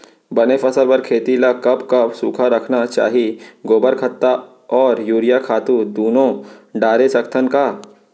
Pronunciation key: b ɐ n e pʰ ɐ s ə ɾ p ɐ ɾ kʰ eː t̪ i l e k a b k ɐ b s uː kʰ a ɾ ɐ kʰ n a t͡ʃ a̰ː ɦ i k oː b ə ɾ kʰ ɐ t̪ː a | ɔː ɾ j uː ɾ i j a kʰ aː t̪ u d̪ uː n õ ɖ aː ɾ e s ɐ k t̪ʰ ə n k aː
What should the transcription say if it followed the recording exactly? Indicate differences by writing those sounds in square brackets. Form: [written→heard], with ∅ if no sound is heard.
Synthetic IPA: b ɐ n e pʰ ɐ s ə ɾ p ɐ ɾ kʰ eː t̪ i l [e→a] k [a→ɐ] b k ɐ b s uː kʰ a ɾ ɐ kʰ n a t͡ʃ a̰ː ɦ i [k→ɡ] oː b ə ɾ kʰ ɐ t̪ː a | ɔː ɾ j uː ɾ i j a kʰ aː t̪ u d̪ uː n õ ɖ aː ɾ e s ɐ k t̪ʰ ə n k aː